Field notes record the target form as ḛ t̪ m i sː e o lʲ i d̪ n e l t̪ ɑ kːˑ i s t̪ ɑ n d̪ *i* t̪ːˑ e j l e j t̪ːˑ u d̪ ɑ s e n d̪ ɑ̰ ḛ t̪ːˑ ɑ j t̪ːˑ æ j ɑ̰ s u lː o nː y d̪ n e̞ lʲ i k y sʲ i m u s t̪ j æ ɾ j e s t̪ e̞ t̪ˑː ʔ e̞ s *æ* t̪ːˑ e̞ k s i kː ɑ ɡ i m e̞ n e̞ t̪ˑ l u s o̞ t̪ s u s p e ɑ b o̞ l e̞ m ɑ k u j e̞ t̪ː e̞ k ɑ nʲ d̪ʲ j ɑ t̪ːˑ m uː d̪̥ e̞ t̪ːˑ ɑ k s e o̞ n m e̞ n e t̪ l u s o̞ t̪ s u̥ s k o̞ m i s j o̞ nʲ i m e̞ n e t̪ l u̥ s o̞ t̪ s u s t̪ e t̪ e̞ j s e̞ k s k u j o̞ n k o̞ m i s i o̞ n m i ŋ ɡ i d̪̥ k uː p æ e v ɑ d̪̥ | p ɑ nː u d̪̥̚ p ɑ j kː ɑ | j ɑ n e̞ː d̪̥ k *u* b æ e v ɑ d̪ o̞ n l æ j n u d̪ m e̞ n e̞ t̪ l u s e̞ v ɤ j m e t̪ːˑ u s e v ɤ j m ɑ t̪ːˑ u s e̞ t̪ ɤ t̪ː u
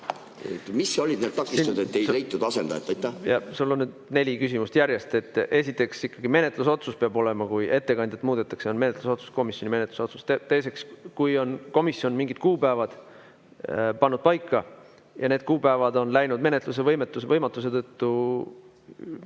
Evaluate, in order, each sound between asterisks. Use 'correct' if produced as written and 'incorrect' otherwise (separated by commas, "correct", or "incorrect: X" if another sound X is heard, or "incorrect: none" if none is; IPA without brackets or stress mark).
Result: incorrect: e, incorrect: i, incorrect: uː